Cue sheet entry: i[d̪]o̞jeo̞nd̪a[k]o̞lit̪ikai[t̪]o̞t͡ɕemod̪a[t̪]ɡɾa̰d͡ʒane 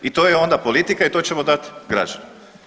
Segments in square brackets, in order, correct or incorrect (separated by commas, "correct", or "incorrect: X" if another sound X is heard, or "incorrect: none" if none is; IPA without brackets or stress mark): incorrect: t̪, incorrect: p, correct, correct